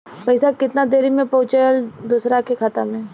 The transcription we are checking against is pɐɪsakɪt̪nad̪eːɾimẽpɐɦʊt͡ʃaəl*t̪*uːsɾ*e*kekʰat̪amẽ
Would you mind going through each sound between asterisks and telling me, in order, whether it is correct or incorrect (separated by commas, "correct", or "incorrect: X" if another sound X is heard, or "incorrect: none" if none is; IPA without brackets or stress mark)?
incorrect: d̪, incorrect: a